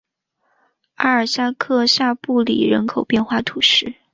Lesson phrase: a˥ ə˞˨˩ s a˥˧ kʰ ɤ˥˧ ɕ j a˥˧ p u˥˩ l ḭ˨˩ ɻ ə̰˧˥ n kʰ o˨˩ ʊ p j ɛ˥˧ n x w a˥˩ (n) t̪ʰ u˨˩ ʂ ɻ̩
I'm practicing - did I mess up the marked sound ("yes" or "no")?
yes